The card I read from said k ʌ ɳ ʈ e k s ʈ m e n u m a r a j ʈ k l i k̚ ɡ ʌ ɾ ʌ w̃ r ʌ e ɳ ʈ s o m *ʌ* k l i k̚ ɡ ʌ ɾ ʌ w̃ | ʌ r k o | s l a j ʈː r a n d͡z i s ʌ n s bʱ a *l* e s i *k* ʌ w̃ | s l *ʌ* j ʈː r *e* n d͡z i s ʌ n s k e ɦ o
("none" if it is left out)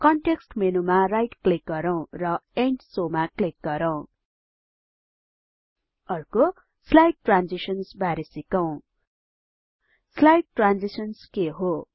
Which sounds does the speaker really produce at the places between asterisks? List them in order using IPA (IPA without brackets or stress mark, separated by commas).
a, ɾ, k, a, a